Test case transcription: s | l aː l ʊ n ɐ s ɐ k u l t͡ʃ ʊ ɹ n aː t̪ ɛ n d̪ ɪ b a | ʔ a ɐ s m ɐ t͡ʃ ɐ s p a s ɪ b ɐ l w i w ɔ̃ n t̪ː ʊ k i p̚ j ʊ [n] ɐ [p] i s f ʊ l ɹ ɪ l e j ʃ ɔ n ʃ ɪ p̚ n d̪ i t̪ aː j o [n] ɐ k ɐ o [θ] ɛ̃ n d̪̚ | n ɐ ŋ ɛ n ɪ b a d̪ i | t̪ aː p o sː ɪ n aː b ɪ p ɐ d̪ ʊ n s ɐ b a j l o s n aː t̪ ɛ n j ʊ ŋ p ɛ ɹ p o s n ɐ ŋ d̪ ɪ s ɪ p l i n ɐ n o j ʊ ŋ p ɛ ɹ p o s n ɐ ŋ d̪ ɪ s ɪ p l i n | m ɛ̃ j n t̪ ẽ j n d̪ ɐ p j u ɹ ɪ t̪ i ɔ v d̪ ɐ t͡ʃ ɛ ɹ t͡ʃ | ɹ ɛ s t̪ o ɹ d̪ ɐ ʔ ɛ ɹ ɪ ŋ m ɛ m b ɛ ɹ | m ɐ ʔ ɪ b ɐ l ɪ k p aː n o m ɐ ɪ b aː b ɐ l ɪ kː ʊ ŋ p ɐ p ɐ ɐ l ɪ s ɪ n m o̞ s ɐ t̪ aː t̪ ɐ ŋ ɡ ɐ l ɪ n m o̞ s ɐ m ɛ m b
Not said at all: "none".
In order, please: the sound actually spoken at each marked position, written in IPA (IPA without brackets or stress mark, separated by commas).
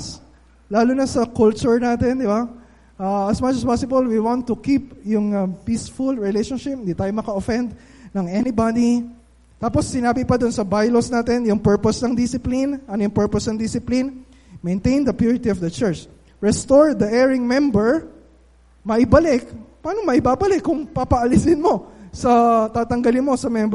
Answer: ŋ, p, m, f